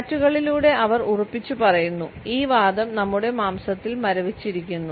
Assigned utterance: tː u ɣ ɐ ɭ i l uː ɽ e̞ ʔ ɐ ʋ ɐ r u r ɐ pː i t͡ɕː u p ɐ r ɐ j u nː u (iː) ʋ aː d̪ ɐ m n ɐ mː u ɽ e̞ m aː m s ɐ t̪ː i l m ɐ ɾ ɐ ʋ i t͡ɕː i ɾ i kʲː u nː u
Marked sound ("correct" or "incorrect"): correct